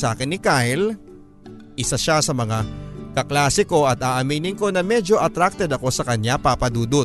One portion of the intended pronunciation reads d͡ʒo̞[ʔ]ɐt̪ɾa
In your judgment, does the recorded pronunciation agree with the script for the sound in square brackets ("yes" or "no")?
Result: yes